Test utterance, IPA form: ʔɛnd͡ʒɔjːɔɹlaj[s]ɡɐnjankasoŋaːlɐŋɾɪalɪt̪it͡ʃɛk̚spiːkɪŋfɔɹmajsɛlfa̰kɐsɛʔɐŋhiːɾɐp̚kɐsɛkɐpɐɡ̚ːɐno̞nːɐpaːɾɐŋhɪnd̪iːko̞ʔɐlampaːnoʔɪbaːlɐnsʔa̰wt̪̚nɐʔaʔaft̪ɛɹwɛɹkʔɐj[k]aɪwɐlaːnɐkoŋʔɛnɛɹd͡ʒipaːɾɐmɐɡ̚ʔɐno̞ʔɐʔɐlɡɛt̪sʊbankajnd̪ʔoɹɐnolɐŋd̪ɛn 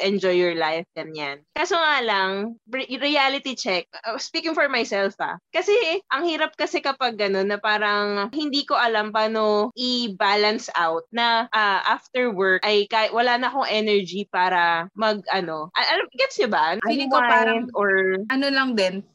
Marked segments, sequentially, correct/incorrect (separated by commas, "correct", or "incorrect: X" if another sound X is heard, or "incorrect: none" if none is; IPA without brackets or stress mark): incorrect: f, correct